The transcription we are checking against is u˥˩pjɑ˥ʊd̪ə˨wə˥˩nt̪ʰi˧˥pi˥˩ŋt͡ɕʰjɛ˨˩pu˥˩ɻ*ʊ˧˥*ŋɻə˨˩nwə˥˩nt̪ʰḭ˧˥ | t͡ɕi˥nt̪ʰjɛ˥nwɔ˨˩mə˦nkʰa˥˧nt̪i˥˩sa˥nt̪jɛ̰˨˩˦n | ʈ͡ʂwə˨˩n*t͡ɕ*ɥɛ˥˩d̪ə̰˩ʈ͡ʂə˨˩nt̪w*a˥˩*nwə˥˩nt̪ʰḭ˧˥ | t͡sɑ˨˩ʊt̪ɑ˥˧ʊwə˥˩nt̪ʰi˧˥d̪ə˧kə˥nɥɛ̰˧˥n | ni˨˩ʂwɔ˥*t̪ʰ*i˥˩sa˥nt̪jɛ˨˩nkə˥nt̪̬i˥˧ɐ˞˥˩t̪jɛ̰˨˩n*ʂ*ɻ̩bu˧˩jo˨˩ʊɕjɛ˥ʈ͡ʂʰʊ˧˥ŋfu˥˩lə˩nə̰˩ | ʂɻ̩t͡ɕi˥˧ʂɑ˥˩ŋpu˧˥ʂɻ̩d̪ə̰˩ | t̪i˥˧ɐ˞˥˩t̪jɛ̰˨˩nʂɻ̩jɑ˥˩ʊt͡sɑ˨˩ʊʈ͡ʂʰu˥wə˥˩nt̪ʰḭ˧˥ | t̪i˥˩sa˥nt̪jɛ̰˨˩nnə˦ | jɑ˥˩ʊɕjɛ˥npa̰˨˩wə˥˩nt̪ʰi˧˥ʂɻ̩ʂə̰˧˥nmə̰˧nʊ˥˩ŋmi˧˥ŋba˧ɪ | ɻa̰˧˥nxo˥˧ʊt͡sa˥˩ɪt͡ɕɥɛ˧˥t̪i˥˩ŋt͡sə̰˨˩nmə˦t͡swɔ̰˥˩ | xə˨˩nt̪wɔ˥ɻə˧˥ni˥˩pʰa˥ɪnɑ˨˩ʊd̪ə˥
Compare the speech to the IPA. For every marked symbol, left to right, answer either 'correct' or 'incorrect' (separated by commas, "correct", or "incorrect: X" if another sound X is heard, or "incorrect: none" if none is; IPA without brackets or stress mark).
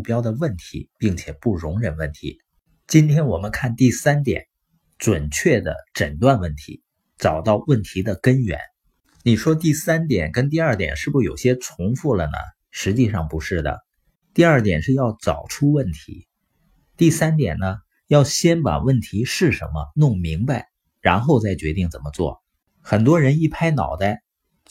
correct, incorrect: t͡ɕʰ, incorrect: a˥˧, incorrect: t̪, correct